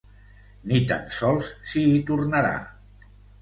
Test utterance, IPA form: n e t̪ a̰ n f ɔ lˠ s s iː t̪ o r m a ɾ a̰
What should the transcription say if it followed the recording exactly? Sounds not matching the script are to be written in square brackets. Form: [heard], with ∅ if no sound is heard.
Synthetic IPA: n [i] t̪ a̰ n [s] ɔ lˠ s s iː t̪ [u] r [n] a ɾ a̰